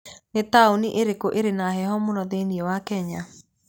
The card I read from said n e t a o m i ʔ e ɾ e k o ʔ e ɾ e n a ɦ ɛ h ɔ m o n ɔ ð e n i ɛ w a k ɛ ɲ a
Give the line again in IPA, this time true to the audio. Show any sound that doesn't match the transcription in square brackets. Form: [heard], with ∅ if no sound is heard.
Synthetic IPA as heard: n e t a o [n] i ʔ e ɾ e k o ʔ e ɾ e n a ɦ ɛ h ɔ m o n ɔ ð e n i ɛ w a k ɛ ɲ a